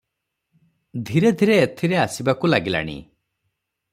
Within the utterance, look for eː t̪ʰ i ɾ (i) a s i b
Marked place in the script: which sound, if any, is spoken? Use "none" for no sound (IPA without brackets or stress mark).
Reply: e